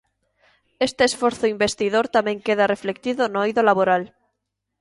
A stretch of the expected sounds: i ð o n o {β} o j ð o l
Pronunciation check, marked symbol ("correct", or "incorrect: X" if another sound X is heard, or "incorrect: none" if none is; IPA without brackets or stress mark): incorrect: none